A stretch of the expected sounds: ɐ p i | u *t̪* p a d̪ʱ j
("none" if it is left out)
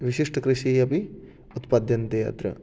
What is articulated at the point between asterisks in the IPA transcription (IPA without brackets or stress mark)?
t̪